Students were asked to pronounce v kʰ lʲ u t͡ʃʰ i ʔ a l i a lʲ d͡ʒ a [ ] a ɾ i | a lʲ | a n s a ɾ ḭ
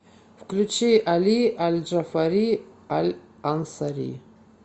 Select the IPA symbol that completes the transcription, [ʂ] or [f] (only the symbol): f